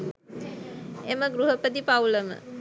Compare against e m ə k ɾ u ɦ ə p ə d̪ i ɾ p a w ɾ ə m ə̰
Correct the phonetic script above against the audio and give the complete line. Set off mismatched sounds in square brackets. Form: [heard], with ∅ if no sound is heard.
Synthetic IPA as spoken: e m ə [ɡ] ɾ u ɦ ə p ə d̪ i [∅] p a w [l] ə m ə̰